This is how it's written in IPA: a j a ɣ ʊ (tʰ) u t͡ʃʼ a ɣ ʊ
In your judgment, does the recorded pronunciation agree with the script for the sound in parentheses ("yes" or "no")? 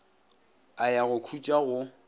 no